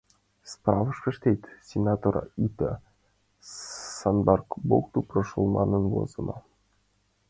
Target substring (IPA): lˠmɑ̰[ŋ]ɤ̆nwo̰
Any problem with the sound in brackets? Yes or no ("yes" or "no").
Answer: yes